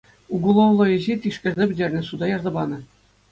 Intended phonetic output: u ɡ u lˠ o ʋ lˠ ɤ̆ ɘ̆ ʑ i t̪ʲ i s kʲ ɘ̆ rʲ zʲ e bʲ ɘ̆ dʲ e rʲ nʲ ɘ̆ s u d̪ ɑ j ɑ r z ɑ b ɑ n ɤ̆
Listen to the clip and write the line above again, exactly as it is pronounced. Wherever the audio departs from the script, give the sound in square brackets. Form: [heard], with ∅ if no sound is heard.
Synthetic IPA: u ɡ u lˠ o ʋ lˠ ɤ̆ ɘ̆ ʑ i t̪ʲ i [ʂ] kʲ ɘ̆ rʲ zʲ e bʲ ɘ̆ dʲ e rʲ nʲ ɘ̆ s u d̪ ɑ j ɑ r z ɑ b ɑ n ɤ̆